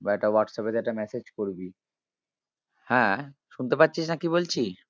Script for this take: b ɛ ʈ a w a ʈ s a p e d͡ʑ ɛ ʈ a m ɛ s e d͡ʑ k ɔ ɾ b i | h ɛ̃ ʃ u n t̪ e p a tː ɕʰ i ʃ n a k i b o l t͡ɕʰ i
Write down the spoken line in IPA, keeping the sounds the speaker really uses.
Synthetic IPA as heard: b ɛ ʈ a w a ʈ s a p e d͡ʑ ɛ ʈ a m ɛ s e d͡ʑ k o ɾ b i | h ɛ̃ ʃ u n t̪ e p a tː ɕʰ i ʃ n a k i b o l t͡ɕʰ i